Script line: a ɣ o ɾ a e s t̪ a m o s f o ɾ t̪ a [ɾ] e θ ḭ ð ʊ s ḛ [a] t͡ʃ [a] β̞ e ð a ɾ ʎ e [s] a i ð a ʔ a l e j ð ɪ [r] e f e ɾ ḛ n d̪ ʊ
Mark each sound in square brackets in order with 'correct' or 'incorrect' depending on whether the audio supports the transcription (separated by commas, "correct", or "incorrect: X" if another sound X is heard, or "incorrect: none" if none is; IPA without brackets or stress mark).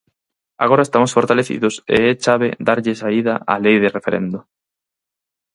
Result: incorrect: l, incorrect: ɛ, correct, correct, correct